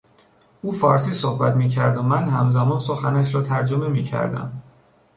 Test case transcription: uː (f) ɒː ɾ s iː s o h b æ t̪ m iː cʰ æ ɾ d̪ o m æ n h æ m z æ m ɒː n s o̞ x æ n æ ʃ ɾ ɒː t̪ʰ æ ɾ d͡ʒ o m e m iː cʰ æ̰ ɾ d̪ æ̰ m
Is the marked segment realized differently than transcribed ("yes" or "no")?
no